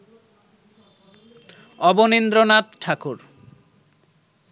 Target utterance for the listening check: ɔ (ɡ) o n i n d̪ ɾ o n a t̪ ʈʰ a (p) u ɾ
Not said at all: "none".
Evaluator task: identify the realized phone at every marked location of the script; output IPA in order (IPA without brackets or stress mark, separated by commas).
b, k